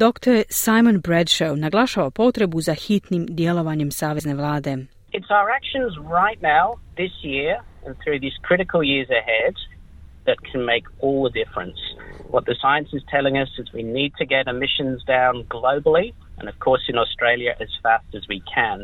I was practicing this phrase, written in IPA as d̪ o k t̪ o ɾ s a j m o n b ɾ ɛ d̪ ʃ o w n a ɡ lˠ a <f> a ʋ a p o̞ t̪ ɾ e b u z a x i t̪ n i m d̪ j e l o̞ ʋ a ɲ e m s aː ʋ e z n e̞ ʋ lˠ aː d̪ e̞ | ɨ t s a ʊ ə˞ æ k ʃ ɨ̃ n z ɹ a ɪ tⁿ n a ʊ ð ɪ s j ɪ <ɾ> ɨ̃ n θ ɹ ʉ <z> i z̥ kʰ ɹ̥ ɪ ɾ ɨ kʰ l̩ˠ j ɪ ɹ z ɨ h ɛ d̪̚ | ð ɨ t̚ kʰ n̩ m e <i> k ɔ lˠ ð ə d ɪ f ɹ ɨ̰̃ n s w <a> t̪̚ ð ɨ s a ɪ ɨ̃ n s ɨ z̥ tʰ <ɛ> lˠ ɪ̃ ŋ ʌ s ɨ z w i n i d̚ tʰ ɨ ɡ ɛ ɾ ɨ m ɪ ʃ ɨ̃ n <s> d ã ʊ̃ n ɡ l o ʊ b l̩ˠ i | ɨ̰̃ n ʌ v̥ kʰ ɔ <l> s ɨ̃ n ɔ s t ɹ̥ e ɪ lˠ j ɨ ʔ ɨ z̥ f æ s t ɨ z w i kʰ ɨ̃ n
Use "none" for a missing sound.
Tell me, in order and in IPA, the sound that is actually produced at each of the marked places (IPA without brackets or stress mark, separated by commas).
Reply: ʃ, ɹ, ð, ɪ, ʌ, ɛ, z, ɹ